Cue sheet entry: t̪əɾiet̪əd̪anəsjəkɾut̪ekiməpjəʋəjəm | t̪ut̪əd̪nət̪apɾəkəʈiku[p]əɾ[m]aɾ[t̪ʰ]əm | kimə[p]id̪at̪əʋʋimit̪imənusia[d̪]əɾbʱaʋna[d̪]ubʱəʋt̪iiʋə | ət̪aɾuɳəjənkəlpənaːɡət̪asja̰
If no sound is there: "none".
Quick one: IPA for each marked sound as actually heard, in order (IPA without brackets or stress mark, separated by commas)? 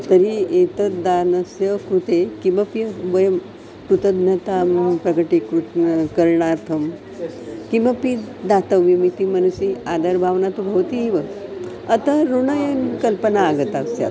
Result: k, ɳ, t̪ʰ, p, d̪, t̪